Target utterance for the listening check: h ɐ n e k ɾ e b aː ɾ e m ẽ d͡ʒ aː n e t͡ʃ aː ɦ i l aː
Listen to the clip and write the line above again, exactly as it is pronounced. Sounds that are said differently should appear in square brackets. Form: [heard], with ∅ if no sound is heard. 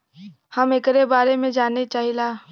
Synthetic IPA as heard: h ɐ [m] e k ɾ e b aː ɾ e m ẽ d͡ʒ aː n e t͡ʃ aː ɦ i l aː